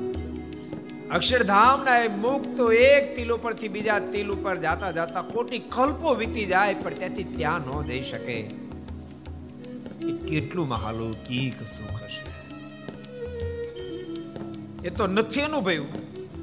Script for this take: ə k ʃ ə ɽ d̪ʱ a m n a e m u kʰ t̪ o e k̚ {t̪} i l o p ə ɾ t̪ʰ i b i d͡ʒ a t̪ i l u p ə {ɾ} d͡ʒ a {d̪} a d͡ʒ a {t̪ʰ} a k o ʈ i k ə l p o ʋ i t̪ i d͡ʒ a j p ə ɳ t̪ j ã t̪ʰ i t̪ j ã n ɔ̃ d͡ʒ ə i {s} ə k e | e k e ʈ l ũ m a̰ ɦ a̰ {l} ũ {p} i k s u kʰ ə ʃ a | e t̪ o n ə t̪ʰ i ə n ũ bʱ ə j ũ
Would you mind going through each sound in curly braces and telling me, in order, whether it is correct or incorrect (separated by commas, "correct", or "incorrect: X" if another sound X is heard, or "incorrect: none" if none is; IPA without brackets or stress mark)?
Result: correct, correct, incorrect: t̪, incorrect: t̪, incorrect: ʃ, correct, incorrect: k